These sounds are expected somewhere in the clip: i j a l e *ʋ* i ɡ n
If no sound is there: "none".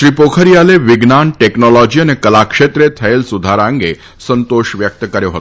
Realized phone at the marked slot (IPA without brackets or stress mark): ʋ